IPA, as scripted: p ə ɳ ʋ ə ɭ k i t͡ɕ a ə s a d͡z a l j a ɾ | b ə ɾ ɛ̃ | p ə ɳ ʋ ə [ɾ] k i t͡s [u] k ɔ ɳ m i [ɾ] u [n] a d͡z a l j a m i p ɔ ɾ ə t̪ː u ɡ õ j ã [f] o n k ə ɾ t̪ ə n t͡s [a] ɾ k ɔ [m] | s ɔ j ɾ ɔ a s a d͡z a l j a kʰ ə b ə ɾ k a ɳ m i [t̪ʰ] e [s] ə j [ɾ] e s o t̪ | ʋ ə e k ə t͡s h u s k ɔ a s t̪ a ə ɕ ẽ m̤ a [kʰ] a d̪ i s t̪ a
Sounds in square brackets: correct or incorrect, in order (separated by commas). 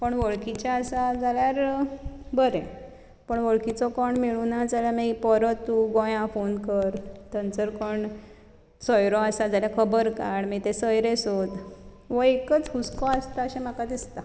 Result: incorrect, incorrect, incorrect, correct, correct, incorrect, incorrect, incorrect, correct, correct, incorrect